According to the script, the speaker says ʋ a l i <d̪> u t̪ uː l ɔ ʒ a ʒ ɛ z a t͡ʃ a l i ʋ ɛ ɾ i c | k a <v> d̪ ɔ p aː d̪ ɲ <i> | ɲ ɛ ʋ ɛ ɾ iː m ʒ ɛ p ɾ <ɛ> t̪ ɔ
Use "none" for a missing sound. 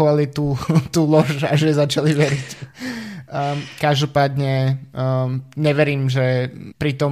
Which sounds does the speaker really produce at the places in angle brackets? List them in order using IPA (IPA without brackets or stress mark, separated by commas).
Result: t̪, ʒ, ɛ, i